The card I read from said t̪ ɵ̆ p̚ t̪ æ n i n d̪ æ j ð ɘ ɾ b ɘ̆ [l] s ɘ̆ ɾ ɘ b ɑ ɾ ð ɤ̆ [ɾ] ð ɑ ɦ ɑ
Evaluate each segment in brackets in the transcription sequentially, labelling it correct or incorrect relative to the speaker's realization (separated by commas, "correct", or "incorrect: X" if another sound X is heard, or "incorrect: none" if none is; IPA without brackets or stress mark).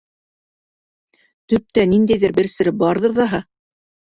incorrect: ɾ, correct